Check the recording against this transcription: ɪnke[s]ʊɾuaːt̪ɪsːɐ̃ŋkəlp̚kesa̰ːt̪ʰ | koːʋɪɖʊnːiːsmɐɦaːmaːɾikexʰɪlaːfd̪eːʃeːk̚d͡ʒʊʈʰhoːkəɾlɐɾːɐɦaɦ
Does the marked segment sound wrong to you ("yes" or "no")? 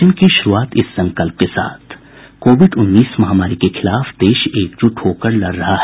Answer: yes